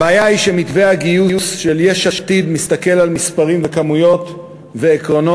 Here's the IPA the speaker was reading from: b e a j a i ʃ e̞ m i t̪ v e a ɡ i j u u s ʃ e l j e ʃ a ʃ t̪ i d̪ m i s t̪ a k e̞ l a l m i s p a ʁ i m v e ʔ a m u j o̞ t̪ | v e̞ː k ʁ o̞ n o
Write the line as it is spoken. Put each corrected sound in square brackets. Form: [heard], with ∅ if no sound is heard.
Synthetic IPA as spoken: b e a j a i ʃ e̞ m i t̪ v e a ɡ i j u u s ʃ e l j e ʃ a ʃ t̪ i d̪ m i s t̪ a k e̞ l a l m i s p a ʁ i m v e [k] a m u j o̞ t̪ | v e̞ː k ʁ o̞ n o